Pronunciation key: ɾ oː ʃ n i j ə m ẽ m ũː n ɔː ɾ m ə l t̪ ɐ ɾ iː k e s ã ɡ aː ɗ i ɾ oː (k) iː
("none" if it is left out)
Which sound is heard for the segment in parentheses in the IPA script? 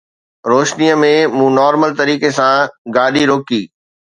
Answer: k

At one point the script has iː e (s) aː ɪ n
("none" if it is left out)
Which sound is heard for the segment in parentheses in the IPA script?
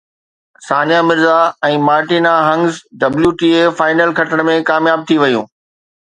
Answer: f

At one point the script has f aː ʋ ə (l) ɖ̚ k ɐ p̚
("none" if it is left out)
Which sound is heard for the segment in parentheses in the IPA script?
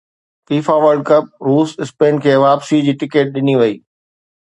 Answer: ɾ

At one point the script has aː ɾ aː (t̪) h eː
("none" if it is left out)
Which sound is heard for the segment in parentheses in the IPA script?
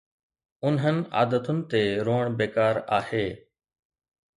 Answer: none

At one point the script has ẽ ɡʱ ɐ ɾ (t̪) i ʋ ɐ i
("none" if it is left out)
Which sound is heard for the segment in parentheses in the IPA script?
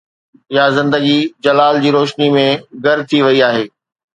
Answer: t̪ʰ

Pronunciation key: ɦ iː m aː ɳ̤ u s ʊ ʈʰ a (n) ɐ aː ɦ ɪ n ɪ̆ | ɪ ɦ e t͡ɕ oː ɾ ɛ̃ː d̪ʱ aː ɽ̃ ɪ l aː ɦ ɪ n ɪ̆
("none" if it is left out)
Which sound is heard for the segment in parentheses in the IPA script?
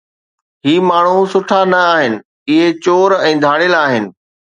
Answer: n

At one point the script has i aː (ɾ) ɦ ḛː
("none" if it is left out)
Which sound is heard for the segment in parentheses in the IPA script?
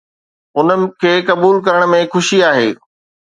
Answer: none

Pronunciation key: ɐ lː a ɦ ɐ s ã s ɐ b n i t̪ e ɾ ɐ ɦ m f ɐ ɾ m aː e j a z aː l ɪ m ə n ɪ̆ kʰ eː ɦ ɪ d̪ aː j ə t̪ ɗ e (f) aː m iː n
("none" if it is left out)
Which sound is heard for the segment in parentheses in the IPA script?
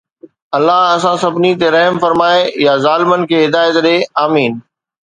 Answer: none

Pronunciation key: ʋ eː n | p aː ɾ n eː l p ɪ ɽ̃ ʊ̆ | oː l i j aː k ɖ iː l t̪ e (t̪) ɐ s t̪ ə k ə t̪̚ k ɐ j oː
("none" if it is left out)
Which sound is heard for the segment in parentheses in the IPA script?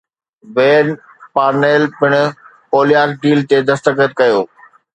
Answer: d̪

